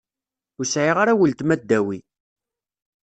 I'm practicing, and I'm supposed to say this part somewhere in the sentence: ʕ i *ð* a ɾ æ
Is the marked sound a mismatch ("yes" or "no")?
yes